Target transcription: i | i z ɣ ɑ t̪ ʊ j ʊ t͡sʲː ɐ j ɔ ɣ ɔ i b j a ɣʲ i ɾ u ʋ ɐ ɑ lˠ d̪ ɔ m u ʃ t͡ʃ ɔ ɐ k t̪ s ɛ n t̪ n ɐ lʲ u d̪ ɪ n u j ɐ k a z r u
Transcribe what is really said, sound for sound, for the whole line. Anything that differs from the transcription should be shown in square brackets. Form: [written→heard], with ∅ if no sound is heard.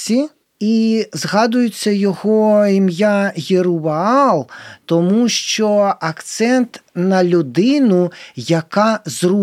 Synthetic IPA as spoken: i | i z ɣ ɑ [t̪→d̪] ʊ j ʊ t͡sʲː ɐ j ɔ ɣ ɔ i [b→m] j a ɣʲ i ɾ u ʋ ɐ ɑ lˠ [d̪→t̪] ɔ m u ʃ t͡ʃ ɔ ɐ k t̪ s ɛ n t̪ n ɐ lʲ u d̪ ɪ n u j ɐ k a z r u